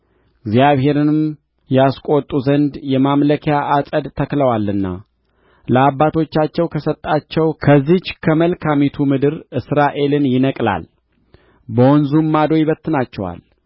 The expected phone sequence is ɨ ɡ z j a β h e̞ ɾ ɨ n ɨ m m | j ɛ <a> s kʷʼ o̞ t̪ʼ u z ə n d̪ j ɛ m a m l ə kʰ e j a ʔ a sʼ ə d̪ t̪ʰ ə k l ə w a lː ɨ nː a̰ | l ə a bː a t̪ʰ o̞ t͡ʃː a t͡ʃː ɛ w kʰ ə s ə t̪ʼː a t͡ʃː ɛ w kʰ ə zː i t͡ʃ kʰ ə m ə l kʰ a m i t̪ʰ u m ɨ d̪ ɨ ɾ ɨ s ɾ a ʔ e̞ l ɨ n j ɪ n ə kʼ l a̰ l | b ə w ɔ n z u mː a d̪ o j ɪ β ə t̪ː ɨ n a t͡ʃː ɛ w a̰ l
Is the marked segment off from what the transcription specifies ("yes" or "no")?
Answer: no